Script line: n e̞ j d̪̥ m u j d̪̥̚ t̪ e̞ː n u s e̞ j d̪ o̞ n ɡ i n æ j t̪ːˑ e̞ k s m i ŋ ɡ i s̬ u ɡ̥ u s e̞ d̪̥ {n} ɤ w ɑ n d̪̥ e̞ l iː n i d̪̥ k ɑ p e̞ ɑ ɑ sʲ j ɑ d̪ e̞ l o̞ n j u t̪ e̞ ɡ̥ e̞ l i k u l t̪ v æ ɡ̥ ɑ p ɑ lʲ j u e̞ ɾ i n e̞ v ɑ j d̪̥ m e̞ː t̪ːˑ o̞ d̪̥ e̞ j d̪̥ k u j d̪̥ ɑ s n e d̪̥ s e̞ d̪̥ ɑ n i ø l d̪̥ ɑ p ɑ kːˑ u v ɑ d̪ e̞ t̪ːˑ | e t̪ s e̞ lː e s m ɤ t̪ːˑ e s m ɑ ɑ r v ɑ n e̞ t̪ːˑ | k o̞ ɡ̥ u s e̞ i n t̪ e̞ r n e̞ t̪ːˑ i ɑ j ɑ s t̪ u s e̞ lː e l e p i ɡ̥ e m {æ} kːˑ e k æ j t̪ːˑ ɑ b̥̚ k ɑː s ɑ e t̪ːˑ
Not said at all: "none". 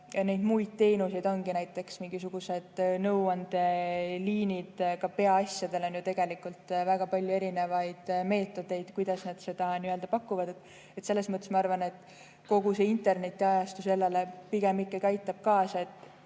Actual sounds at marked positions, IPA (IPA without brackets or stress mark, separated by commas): n, i